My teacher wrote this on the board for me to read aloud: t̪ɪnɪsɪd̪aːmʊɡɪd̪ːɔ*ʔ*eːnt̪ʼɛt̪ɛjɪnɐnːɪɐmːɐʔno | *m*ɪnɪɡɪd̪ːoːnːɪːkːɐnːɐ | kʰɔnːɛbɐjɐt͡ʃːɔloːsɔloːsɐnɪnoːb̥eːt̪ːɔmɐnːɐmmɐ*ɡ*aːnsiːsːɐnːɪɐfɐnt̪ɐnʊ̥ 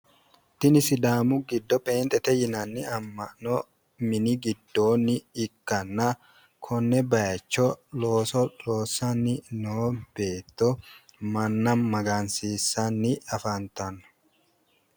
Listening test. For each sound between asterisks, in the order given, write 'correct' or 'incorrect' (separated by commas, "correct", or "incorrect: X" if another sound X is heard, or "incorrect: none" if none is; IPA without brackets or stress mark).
incorrect: p, correct, correct